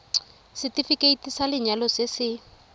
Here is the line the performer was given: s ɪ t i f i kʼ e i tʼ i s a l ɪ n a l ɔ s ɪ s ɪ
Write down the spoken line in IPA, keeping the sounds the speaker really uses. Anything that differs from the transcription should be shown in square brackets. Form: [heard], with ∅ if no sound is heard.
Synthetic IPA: s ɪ t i f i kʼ e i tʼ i s a l ɪ [ɲ] a l ɔ s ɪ s ɪ